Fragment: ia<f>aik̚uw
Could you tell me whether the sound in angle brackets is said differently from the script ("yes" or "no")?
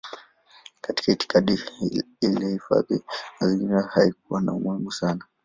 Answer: yes